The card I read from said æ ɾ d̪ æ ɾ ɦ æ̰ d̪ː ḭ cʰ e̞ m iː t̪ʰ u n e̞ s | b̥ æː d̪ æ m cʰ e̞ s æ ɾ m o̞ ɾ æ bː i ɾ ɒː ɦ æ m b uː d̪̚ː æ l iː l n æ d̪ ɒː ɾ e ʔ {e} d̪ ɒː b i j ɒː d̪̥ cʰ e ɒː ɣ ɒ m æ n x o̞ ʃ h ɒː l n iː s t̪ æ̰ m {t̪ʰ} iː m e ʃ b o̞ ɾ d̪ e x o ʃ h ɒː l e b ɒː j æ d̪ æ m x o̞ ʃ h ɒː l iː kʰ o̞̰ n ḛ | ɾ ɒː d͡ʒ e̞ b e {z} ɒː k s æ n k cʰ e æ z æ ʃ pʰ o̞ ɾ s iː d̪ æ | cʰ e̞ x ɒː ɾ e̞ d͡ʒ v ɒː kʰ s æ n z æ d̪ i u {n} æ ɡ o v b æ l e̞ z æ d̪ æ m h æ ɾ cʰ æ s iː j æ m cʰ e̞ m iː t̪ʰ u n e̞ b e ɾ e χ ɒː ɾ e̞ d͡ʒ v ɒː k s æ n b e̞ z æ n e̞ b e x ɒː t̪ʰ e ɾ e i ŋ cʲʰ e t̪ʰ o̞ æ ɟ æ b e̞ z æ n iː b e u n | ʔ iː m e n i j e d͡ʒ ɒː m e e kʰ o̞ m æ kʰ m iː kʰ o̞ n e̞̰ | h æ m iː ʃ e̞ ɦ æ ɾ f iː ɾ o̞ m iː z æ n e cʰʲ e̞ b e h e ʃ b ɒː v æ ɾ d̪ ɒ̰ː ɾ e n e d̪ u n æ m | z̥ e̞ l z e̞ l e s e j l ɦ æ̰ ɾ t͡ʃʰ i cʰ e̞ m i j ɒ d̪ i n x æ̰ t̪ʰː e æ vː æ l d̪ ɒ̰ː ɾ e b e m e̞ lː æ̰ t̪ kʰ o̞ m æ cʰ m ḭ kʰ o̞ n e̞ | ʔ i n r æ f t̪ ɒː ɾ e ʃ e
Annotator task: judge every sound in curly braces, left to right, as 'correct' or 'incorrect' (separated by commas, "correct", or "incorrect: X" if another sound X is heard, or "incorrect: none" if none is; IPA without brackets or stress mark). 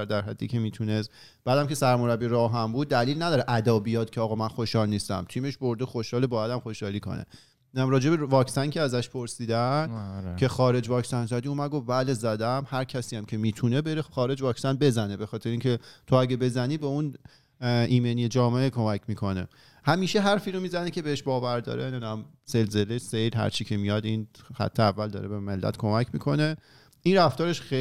incorrect: æ, correct, incorrect: v, incorrect: m